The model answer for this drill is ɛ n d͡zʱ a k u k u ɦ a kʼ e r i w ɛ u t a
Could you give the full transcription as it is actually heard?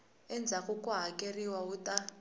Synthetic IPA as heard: ɛ n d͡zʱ a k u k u ɦ a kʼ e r i w a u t a